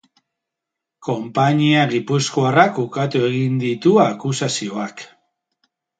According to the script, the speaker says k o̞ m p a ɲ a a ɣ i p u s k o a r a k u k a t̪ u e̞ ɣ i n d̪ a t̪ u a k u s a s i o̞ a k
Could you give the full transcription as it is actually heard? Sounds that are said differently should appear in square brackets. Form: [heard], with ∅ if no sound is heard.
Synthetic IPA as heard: k o̞ m p a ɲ [i] a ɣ i p u s k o a r a k u k a t̪ u e̞ ɣ i n d̪ [i] t̪ u a k u s a s i o̞ a k